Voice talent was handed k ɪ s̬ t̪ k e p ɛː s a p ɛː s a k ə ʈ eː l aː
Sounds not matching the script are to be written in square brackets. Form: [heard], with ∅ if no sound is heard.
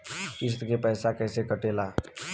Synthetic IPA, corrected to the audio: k ɪ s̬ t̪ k e p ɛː s a [k] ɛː s [e] k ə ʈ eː l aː